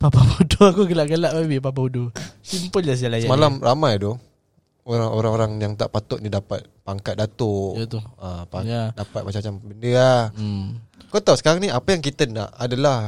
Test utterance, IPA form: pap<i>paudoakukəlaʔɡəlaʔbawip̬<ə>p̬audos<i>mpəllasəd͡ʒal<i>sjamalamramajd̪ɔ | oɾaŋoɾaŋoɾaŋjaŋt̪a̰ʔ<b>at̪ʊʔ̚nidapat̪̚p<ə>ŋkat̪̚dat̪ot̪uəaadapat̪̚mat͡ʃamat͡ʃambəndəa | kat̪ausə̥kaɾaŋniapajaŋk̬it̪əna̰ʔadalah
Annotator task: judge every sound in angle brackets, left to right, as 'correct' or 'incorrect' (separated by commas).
incorrect, incorrect, correct, incorrect, incorrect, incorrect